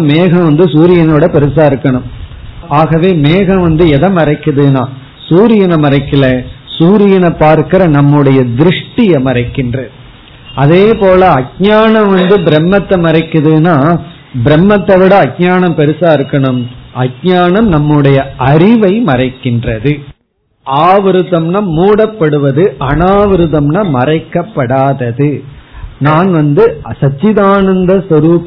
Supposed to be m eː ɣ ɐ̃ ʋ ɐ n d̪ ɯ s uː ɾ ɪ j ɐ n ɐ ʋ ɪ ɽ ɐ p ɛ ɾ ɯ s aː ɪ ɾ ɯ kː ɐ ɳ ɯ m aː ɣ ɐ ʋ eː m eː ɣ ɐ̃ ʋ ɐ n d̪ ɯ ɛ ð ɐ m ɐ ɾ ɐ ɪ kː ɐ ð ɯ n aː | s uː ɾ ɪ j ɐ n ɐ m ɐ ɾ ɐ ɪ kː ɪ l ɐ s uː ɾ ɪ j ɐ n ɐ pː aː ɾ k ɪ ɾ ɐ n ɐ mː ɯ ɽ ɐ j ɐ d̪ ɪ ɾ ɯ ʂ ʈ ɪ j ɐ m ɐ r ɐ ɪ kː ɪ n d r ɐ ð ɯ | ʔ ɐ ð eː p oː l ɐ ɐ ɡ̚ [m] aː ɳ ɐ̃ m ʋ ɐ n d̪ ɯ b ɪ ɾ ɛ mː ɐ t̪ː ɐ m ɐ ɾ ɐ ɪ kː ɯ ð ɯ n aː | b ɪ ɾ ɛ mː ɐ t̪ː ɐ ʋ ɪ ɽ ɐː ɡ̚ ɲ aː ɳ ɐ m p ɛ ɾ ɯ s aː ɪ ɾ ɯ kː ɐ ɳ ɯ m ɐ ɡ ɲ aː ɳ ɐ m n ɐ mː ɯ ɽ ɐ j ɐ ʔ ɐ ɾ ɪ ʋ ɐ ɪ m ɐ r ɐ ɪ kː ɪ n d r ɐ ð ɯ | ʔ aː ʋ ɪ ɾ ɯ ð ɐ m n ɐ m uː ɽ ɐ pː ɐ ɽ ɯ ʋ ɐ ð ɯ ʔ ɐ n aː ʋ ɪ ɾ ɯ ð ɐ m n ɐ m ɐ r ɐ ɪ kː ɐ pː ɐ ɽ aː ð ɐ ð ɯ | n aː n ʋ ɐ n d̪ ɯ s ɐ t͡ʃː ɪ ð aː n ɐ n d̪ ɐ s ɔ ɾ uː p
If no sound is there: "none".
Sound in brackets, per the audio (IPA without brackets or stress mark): ɲ